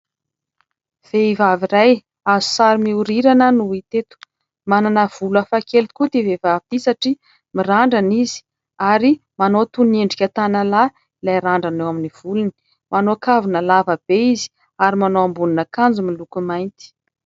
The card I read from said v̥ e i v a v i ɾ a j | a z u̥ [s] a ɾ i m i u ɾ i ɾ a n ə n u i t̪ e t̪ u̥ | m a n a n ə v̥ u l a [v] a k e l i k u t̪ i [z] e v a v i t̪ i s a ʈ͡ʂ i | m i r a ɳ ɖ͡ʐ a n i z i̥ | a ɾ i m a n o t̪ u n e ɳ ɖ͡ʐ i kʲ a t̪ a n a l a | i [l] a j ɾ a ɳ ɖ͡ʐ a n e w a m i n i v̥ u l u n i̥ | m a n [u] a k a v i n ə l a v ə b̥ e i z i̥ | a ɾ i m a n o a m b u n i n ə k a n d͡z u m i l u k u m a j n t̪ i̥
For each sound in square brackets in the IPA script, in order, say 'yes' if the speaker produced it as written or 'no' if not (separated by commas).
yes, no, no, yes, no